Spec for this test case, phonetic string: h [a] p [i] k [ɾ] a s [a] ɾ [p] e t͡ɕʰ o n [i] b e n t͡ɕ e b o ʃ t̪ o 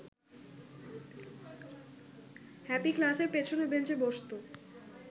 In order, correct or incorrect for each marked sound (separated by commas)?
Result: incorrect, correct, incorrect, incorrect, correct, incorrect